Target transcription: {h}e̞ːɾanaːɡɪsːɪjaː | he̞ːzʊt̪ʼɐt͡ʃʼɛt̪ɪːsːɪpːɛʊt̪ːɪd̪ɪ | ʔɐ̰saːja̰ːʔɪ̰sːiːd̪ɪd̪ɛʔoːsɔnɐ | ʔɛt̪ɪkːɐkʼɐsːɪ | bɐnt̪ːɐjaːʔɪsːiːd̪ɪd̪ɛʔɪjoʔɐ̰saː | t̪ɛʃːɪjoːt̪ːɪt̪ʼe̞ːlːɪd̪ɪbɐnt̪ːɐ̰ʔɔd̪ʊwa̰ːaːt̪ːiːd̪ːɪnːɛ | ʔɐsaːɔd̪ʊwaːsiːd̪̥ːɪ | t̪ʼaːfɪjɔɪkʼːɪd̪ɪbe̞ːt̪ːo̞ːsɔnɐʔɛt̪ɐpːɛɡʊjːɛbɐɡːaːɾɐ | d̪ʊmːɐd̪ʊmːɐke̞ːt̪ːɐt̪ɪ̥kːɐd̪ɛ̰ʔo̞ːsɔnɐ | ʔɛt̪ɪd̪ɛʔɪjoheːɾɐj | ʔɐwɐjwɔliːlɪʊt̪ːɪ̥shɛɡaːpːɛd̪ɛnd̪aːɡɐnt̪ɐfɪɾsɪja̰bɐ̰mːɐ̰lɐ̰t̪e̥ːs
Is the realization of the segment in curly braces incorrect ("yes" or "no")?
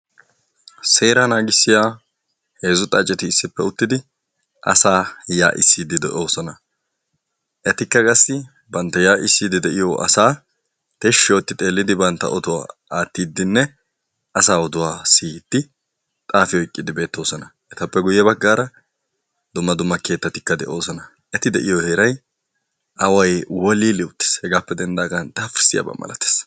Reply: yes